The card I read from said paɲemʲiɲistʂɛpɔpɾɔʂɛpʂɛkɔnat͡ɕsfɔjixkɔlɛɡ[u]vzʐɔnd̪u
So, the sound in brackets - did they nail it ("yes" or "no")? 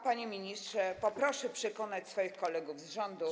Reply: yes